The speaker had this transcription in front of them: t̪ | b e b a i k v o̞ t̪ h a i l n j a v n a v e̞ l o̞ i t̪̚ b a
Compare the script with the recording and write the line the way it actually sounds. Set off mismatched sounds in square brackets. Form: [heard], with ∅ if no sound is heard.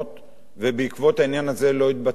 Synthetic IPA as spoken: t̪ | [v] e b [e] i k v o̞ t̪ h a i [∅] n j a [∅] n a [z] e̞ l o̞ i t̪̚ b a